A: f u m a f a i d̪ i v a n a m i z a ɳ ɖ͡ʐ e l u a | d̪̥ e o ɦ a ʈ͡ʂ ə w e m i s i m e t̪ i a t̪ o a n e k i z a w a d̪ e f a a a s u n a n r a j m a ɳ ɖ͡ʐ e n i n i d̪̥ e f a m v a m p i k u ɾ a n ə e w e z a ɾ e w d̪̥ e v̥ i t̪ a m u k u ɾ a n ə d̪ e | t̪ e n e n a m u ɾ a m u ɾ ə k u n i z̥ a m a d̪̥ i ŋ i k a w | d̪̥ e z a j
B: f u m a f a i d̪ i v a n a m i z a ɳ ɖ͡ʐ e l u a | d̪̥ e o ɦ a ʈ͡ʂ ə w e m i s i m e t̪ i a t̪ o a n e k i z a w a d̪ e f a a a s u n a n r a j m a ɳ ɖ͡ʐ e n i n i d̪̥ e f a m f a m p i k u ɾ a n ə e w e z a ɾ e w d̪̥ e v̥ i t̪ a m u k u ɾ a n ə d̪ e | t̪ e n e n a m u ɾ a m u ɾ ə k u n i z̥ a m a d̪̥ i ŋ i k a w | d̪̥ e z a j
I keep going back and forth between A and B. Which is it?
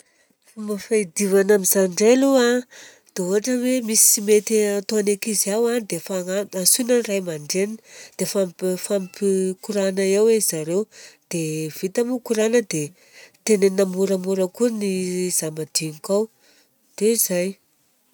B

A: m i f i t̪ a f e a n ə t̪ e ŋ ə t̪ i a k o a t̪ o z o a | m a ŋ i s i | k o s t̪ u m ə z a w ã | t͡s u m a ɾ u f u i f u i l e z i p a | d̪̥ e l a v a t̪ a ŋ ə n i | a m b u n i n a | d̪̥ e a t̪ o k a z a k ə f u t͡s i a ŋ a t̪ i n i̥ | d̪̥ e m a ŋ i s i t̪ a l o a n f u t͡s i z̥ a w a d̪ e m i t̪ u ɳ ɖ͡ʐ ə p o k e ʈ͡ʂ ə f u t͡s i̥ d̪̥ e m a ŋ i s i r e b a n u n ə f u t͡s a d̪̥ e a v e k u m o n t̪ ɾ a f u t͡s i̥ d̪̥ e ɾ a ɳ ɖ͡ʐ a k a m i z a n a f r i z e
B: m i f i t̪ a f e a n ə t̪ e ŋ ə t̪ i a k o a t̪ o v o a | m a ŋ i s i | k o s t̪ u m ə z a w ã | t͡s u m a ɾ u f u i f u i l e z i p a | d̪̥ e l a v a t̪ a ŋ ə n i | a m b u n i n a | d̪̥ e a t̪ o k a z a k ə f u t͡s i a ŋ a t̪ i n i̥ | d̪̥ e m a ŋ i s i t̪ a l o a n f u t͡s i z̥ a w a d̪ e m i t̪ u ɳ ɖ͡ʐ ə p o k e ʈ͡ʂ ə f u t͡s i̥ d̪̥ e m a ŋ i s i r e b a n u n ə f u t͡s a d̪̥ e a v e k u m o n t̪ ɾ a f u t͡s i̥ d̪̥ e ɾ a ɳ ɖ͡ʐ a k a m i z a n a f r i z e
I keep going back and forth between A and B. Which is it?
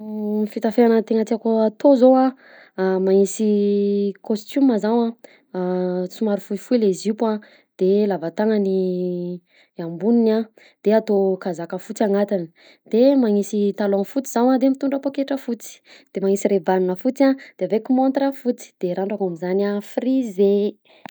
A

